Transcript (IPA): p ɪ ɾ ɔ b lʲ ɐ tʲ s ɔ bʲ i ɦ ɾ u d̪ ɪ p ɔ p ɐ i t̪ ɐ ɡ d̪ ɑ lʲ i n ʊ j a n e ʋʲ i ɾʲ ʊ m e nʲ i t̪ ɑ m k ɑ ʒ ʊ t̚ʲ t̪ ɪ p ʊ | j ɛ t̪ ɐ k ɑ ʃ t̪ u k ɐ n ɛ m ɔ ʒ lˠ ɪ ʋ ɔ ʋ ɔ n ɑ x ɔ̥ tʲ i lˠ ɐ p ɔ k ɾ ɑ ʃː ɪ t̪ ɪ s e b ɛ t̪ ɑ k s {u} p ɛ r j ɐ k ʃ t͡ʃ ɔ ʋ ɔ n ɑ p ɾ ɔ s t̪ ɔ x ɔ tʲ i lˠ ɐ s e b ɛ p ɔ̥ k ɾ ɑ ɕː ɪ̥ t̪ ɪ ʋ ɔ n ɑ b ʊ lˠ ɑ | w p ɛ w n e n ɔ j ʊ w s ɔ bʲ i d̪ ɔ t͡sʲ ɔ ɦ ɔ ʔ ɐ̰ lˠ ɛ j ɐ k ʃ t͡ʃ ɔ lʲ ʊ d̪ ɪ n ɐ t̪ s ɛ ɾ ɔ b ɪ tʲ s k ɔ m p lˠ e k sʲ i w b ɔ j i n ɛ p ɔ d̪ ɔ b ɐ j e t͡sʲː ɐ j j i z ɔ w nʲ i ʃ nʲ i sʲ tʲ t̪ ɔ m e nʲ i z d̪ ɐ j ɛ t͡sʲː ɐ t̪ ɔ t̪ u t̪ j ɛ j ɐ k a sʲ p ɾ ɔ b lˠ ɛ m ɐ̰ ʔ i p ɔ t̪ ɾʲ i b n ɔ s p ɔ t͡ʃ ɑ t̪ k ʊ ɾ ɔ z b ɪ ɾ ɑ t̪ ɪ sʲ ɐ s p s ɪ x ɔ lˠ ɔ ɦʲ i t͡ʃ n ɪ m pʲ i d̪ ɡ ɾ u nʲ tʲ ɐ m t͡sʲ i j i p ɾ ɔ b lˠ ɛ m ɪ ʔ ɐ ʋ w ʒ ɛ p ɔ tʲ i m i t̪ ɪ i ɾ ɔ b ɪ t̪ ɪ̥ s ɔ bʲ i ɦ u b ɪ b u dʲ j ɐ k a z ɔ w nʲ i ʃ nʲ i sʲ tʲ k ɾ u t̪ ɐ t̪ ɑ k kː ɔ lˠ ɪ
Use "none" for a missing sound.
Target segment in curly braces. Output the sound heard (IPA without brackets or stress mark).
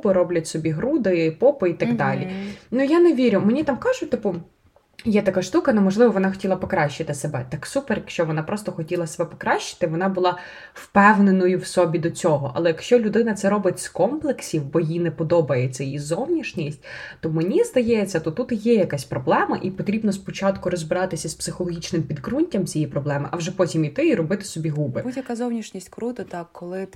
u